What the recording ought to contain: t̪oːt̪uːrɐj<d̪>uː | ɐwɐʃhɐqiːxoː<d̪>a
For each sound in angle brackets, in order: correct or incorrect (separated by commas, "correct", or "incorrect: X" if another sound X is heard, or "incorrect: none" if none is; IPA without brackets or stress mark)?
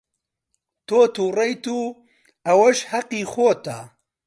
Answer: incorrect: t̪, incorrect: t̪